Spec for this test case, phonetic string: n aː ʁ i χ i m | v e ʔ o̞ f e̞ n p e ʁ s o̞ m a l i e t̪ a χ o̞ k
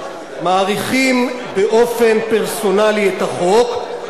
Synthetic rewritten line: m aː ʁ i χ i m | b e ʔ o̞ f e̞ n p e ʁ s o̞ n a l i e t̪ a χ o̞ k